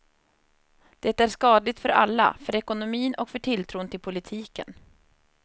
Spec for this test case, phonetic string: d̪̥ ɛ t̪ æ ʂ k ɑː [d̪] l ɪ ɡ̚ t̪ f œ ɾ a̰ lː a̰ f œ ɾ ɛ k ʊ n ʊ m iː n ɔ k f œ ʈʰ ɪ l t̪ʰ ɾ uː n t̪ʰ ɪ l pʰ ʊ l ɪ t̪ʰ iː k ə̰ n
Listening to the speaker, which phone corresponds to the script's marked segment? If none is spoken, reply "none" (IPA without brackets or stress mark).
d̪